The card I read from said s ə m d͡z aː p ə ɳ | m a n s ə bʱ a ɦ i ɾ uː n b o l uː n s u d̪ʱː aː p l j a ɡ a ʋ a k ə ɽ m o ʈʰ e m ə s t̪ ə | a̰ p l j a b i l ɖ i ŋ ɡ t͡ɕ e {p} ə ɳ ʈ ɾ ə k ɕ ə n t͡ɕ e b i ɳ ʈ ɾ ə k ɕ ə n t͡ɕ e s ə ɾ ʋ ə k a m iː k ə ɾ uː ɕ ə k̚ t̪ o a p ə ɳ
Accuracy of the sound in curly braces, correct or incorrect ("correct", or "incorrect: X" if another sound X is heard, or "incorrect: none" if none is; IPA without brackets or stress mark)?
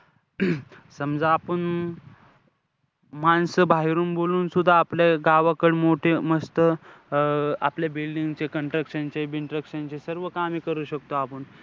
incorrect: k